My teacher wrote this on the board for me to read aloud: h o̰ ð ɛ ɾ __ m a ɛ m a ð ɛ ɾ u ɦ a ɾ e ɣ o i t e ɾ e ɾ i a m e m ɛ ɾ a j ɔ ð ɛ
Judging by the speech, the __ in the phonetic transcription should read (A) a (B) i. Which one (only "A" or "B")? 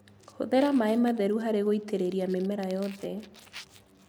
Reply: A